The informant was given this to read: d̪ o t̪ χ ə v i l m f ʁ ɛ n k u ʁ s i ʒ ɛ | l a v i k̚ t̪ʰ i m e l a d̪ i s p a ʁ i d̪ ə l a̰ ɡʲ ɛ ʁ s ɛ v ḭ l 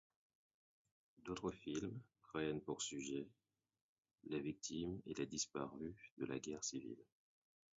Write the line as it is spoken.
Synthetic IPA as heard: d̪ o t̪ χ ə f i l m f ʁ ɛ n p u ʁ s y ʒ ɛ | l a v i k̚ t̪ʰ i m e l a d̪ i s p a ʁ y d̪ ə l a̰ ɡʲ ɛ ʁ s i v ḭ l